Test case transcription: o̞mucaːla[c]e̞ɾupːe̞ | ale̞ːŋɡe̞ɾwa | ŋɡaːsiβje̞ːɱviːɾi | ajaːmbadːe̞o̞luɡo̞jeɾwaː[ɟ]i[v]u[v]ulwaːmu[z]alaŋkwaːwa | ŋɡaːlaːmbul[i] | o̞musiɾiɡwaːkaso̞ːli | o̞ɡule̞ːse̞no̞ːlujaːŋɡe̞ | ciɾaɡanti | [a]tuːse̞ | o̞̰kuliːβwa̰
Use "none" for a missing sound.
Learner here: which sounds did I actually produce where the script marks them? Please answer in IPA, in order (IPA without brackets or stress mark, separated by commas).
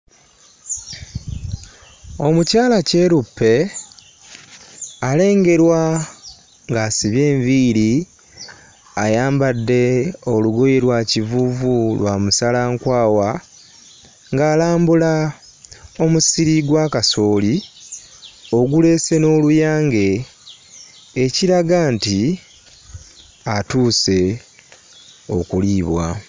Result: c, c, v, v, s, a, a